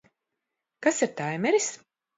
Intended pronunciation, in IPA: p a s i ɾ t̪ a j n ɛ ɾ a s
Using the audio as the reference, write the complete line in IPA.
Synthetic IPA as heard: k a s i ɾ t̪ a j m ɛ ɾ i s